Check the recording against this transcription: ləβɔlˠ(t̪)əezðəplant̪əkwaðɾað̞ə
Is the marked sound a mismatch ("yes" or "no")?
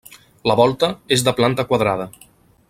no